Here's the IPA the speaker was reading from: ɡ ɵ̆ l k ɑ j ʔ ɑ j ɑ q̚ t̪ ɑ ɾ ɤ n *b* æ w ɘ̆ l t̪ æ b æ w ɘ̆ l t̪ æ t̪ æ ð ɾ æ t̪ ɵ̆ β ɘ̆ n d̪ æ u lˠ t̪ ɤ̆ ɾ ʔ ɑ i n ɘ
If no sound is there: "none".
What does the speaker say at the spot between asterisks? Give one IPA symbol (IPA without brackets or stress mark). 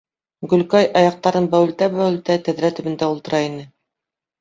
b